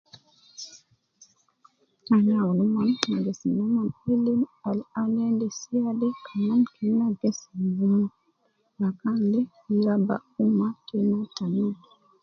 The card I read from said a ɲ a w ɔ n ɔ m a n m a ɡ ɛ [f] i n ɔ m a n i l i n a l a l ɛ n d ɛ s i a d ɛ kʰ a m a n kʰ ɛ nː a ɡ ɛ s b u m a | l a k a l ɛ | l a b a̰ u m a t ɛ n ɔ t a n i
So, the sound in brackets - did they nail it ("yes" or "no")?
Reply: no